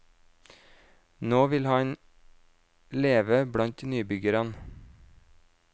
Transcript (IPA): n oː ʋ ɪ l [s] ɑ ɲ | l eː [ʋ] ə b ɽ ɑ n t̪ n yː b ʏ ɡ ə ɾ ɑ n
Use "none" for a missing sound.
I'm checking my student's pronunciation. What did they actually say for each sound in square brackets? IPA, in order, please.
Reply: h, ʋ

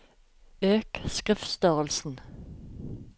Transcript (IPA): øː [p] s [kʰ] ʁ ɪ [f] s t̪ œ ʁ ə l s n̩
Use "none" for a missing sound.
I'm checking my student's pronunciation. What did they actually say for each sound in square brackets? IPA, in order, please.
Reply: k, k, f

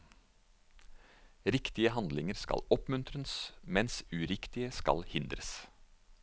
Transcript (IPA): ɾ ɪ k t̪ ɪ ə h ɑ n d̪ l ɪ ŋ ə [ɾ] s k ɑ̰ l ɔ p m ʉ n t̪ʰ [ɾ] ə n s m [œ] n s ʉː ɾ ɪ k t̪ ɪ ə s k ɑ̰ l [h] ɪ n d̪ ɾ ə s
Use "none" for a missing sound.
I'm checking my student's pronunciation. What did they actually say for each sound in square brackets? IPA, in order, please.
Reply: ɾ, ɾ, ɛ, h

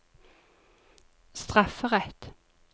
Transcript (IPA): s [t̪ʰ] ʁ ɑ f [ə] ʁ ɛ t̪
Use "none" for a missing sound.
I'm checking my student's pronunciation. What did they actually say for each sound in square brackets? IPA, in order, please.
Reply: t̪, ə

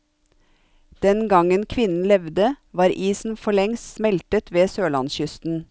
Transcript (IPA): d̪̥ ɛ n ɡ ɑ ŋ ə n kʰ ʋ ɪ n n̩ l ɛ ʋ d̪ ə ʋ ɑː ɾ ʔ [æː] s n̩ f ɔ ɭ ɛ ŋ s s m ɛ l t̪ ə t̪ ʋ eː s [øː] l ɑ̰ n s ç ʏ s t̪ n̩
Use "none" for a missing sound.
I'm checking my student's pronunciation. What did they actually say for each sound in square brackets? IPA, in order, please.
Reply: iː, øː

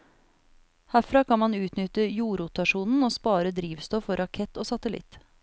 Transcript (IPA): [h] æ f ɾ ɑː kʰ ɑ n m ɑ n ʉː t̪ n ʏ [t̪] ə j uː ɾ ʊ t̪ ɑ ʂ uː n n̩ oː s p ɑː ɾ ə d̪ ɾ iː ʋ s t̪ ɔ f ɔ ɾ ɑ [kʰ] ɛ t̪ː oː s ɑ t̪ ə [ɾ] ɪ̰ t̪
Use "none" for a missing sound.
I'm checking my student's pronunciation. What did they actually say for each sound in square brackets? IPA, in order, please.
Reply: h, t̪, kʰ, l

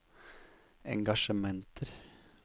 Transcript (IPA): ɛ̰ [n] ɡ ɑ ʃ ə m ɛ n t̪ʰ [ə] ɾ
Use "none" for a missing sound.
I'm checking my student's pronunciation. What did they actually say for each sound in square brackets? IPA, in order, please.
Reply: ŋ, ə

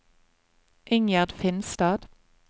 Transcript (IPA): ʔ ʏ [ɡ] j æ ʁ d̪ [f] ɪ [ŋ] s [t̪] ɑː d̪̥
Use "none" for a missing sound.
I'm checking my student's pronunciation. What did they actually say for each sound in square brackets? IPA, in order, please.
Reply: ŋ, f, n, t̪

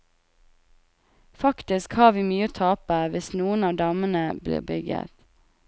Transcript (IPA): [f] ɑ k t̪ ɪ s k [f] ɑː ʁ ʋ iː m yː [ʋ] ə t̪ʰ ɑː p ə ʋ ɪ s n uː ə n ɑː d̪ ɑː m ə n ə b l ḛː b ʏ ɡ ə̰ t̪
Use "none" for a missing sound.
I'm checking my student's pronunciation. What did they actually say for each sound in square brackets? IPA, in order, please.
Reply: f, h, none

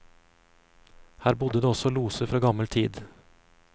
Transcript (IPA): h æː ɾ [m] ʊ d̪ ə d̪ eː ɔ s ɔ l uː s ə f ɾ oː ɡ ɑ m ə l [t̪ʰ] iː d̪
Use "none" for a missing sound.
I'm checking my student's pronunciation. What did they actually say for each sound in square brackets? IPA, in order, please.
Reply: b, t̪ʰ

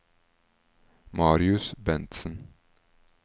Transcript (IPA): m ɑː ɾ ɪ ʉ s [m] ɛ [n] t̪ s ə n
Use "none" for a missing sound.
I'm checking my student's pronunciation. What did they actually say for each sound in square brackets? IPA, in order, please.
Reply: b, n

